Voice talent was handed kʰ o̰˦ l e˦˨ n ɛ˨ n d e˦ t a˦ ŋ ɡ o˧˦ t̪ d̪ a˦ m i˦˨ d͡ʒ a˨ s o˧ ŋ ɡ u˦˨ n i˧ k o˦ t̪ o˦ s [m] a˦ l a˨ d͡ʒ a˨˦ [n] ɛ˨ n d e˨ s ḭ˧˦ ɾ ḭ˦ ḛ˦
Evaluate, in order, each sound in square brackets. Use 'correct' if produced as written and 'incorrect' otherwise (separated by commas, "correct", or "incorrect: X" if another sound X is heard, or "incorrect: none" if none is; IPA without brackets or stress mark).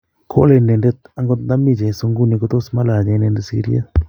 correct, correct